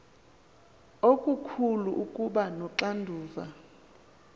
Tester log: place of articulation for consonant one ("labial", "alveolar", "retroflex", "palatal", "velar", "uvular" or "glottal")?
velar